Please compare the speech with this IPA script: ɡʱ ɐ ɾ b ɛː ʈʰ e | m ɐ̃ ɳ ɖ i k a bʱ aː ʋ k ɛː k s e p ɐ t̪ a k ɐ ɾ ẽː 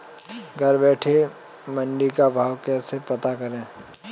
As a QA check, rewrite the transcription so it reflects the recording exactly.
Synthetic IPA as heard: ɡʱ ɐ ɾ b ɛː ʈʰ e | m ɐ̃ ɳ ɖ i k a bʱ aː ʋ k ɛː s e p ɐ t̪ a k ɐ ɾ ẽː